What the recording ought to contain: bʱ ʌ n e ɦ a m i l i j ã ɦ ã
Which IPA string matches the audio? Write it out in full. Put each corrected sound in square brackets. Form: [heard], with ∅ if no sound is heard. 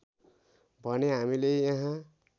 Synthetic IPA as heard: bʱ ʌ n e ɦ a m i l [e] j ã ɦ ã